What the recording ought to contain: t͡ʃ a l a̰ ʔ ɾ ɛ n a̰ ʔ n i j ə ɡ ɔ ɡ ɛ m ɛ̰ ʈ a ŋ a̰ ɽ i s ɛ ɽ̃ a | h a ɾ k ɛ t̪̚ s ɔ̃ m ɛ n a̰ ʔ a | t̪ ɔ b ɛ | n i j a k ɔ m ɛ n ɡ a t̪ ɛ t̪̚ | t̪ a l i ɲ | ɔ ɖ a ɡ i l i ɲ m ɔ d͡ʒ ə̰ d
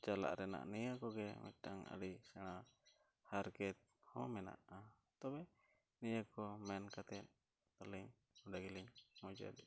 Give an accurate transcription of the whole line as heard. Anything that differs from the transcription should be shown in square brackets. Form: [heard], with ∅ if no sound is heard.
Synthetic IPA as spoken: t͡ʃ a l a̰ ʔ ɾ ɛ n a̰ ʔ n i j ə [k] ɔ ɡ ɛ m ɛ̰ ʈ a ŋ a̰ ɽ i s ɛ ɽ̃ a | h a ɾ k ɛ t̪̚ [h] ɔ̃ m ɛ n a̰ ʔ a | t̪ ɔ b ɛ | n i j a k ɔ m ɛ n [k] a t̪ ɛ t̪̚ | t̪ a l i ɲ | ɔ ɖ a ɡ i l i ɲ m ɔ d͡ʒ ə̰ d

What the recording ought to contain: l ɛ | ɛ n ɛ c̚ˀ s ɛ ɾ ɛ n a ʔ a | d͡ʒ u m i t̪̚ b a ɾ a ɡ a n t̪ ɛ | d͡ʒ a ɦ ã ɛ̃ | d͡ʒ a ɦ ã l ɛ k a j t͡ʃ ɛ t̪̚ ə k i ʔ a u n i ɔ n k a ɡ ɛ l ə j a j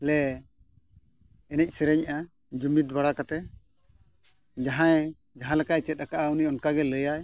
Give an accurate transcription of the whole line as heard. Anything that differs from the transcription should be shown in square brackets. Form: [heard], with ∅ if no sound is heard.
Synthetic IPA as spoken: l ɛ | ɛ n ɛ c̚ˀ s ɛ ɾ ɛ [ɲ] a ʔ a | d͡ʒ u m i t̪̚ b a [ɽ] a [k] a [∅] t̪ ɛ | d͡ʒ a ɦ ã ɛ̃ | d͡ʒ a ɦ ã l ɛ k a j t͡ʃ ɛ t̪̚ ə k [a] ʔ a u n i ɔ n k a ɡ ɛ l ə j a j

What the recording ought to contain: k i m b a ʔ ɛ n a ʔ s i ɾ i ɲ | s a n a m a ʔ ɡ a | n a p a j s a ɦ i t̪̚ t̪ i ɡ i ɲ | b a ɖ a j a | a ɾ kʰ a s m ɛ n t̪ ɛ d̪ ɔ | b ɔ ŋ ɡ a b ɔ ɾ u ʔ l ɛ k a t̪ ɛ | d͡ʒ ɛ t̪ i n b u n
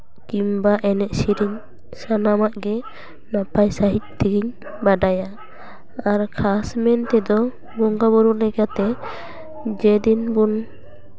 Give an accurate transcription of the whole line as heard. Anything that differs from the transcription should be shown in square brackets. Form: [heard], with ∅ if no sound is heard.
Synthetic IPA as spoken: k i m b a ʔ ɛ n [ɛ] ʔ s i ɾ i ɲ | s a n a m a ʔ ɡ [ɛ] | n a p a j s a ɦ i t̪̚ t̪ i ɡ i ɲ | b a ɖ a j a | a ɾ kʰ a s m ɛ n t̪ ɛ d̪ ɔ | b ɔ ŋ ɡ a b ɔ ɾ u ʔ l ɛ k a t̪ ɛ | d͡ʒ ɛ [d̪] i n b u n

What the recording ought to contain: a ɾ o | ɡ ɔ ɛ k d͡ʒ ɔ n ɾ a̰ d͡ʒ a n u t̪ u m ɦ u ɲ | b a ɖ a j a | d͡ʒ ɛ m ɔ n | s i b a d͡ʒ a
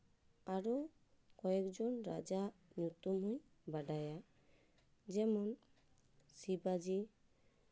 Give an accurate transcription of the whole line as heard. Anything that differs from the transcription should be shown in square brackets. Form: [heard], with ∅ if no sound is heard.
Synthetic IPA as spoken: a ɾ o | [k] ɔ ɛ k d͡ʒ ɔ n ɾ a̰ d͡ʒ a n u t̪ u m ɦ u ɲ | b a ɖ a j a | d͡ʒ ɛ m ɔ n | s i b a d͡ʒ [i]

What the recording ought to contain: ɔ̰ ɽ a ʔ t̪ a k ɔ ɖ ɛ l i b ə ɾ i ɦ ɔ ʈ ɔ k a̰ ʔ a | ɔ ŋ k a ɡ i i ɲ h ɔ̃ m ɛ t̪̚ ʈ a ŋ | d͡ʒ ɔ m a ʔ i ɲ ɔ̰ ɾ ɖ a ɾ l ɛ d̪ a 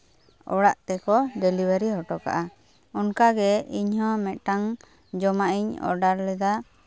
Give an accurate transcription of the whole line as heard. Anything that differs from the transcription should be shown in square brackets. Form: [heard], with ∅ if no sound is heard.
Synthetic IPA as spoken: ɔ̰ ɽ a ʔ t̪ [ɛ] k ɔ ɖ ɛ l i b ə ɾ i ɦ ɔ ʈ ɔ k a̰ ʔ a | ɔ [n] k a ɡ [ɛ] i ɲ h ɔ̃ m ɛ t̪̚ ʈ a ŋ | d͡ʒ ɔ m a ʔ i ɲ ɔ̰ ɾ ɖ a ɾ l ɛ d̪ a

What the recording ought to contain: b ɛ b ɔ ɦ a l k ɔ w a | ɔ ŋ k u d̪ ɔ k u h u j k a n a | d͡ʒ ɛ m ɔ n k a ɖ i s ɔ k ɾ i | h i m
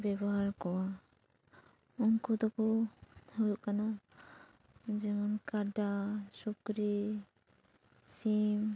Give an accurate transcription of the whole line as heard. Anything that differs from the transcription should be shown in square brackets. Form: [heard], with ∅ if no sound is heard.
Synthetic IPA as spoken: b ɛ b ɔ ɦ a [ɾ] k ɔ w a | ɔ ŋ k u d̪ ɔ k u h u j k a n a | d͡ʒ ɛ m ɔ n k a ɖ [a] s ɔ k ɾ i | [s] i m

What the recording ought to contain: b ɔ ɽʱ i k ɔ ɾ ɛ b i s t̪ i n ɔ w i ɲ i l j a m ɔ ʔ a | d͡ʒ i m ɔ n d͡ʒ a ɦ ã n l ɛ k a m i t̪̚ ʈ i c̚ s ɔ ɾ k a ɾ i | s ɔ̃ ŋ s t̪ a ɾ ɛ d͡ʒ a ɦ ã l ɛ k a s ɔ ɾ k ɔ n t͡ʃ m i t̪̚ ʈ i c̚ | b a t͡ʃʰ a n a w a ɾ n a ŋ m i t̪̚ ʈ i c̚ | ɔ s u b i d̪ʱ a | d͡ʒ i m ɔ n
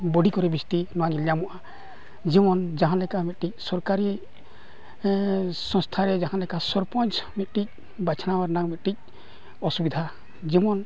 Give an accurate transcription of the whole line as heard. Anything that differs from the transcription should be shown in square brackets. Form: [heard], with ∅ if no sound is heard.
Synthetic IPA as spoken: b ɔ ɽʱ i k ɔ ɾ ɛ b i s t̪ i n ɔ w [a] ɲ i l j a m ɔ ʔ a | d͡ʒ i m ɔ n d͡ʒ a ɦ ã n l ɛ k a m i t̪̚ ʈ i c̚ s ɔ ɾ k a ɾ i | s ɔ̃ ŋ s [t̪ʰ] a ɾ ɛ d͡ʒ a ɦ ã l ɛ k a s ɔ ɾ [p] ɔ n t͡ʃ m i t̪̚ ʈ i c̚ | b a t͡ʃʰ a n a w a ɾ n a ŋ m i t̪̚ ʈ i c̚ | ɔ s u b i d̪ʱ a | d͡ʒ i m ɔ n

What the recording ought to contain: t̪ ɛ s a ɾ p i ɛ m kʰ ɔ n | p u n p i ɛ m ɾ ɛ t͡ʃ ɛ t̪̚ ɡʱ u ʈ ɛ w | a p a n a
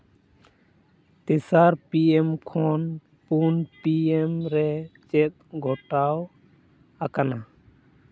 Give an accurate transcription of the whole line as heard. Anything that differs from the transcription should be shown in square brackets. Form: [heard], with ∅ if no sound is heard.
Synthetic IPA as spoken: t̪ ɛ s a ɾ p i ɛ m kʰ ɔ n | p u n p i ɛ m ɾ ɛ t͡ʃ ɛ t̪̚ ɡʱ [ɔ] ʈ [a] w | a [k] a n a

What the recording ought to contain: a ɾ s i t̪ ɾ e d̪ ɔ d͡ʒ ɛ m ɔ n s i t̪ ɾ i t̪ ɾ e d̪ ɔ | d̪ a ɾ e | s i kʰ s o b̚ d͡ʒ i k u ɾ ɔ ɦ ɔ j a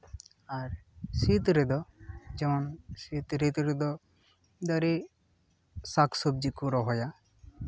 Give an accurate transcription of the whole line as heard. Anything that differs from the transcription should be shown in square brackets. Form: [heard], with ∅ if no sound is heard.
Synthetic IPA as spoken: a ɾ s i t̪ ɾ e d̪ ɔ d͡ʒ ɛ m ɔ n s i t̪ ɾ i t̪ ɾ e d̪ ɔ | d̪ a ɾ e | s [a] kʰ s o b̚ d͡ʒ i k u ɾ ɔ ɦ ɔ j a

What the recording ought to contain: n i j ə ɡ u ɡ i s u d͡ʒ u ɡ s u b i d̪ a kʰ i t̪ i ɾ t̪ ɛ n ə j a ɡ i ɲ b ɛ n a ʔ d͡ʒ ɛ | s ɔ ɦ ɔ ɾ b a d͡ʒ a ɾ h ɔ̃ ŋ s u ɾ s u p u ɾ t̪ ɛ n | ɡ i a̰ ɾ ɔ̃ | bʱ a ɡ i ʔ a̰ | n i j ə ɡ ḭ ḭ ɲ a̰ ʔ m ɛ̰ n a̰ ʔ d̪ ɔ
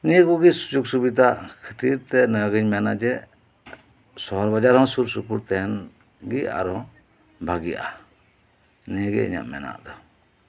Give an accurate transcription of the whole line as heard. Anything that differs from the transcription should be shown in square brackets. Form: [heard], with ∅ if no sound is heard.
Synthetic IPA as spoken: n i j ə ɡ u ɡ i s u d͡ʒ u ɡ s u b i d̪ a kʰ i t̪ i ɾ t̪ ɛ n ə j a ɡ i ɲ [m] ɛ n a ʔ d͡ʒ ɛ | s ɔ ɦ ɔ ɾ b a d͡ʒ a ɾ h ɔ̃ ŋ s u ɾ s u p u ɾ t̪ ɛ n | ɡ i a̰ ɾ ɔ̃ | bʱ a ɡ i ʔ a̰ | n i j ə ɡ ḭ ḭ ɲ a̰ ʔ m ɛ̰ n a̰ ʔ d̪ ɔ

